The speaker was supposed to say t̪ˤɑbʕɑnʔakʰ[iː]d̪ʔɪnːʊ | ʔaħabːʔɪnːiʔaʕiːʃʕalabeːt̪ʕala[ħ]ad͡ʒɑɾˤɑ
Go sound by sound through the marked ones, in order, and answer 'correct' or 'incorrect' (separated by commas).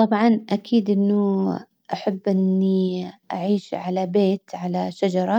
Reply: correct, incorrect